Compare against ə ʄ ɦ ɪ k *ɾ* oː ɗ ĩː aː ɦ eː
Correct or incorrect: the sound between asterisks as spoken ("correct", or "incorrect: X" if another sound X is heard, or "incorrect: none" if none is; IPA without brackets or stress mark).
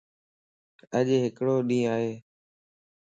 incorrect: ɽ